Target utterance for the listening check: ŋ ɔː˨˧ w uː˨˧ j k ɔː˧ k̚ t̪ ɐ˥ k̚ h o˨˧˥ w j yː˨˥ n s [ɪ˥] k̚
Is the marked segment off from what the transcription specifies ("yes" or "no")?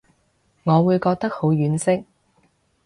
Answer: no